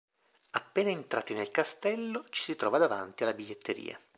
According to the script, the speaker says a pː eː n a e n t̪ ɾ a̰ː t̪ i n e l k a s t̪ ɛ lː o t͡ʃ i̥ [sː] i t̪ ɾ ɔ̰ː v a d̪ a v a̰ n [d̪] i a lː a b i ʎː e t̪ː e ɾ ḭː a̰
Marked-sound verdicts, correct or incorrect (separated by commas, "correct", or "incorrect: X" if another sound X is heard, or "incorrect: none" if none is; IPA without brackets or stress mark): incorrect: s, incorrect: t̪